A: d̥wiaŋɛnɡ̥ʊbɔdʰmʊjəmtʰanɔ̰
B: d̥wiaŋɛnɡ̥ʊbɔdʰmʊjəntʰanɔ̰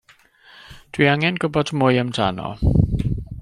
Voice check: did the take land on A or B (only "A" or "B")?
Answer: A